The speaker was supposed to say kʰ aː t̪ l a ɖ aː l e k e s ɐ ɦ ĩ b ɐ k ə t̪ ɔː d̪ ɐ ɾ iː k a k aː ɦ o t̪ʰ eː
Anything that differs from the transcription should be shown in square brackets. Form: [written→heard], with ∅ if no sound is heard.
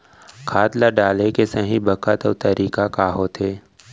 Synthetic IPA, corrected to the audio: kʰ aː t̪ l a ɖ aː l e k e s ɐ ɦ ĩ b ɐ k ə t̪ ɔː [d̪→t̪] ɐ ɾ iː k a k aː ɦ o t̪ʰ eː